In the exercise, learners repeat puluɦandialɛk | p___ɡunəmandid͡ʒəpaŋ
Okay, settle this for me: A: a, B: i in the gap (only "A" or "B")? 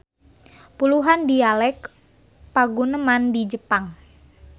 A